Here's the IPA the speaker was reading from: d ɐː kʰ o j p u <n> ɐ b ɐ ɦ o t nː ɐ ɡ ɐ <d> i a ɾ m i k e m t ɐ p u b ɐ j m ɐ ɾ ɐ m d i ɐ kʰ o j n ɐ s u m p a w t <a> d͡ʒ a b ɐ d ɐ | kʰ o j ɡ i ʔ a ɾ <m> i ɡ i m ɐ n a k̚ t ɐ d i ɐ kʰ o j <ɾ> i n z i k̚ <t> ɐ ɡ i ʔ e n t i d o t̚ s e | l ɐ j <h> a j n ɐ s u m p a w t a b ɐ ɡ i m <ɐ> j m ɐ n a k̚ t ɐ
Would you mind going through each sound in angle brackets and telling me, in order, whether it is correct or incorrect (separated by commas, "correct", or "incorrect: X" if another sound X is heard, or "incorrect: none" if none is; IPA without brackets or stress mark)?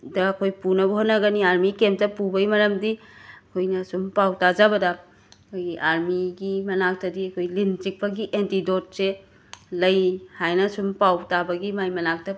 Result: correct, incorrect: n, correct, correct, incorrect: l, incorrect: p, correct, incorrect: a